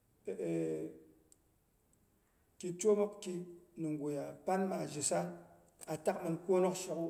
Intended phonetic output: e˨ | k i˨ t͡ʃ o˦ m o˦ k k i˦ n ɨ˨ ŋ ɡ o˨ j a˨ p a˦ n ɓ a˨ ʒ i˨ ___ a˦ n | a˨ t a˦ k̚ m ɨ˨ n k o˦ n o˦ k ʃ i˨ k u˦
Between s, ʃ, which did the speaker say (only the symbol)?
s